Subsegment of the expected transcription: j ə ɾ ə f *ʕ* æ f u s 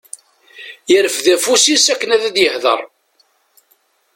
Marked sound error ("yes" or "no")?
yes